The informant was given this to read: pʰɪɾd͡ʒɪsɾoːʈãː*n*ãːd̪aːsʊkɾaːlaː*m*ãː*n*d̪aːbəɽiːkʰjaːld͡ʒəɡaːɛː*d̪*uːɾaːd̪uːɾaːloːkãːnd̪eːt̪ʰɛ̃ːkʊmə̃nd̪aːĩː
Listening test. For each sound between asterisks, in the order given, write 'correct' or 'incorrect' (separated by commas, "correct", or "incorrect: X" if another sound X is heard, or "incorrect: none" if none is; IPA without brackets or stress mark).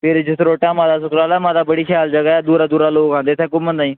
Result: incorrect: m, correct, incorrect: none, correct